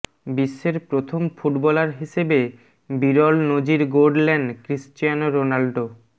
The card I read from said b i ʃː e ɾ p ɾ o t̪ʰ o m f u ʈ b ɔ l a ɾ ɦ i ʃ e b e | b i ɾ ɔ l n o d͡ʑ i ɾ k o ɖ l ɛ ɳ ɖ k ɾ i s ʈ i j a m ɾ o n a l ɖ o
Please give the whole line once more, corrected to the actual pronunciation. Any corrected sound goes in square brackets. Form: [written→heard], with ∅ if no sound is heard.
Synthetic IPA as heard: b i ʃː e ɾ p ɾ o t̪ʰ o m f u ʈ b ɔ l a ɾ ɦ i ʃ e b e | b i ɾ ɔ l n o d͡ʑ i ɾ [k→ɡ] o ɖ l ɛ ɳ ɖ k ɾ i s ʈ i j a [m→n] ɾ o n a l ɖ o